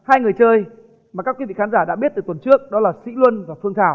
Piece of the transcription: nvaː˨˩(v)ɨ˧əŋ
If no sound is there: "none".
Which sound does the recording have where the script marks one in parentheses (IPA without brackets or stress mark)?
f